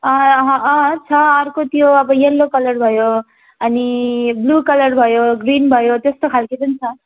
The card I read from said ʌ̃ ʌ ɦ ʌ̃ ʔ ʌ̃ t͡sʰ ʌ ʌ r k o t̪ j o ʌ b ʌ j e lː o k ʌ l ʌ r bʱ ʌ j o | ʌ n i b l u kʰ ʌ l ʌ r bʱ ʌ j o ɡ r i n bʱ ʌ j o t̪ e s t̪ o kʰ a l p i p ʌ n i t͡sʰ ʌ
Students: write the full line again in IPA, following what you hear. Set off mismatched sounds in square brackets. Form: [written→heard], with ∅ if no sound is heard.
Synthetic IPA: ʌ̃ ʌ ɦ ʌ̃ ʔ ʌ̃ t͡sʰ ʌ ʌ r k o t̪ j o ʌ b ʌ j e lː o k ʌ l ʌ r bʱ ʌ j o | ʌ n i b l u [kʰ→k] ʌ l ʌ r bʱ ʌ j o ɡ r i n bʱ ʌ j o t̪ e s t̪ o kʰ a l [p→k] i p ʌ n i t͡sʰ ʌ